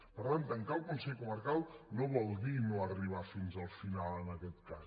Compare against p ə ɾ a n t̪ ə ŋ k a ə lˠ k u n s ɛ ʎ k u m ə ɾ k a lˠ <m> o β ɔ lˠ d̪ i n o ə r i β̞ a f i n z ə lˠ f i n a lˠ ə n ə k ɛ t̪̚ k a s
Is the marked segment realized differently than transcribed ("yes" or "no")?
yes